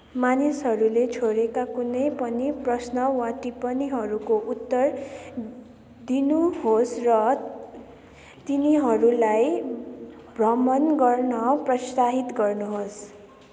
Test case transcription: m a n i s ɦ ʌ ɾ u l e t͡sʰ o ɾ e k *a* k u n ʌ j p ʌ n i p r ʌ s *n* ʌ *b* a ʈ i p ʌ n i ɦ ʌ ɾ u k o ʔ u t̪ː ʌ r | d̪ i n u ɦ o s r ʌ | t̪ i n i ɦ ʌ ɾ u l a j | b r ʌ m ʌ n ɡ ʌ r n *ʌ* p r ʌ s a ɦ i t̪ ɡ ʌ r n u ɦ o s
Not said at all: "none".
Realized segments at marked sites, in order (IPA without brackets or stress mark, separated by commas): a, n, w, ʌ